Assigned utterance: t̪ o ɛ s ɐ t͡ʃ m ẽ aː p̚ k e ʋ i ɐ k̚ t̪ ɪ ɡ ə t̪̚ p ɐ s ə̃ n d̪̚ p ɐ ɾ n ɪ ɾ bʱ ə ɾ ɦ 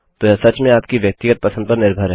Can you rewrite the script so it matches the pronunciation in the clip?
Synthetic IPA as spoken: t̪ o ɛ s ɐ t͡ʃ m ẽ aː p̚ k i ʋ j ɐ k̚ t̪ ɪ ɡ ə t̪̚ p ɐ s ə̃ n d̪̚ p ɐ ɾ n ɪ ɾ bʱ ə ɾ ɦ